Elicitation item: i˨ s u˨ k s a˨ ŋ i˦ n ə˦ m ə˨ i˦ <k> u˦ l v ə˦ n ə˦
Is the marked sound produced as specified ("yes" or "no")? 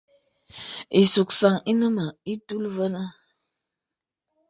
no